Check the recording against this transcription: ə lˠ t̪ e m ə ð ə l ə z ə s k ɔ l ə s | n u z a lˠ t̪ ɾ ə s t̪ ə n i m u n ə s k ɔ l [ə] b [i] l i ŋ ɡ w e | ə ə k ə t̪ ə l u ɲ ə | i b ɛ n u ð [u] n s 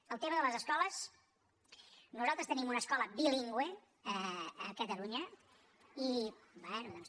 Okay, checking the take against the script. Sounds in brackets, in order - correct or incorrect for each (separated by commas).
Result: correct, correct, incorrect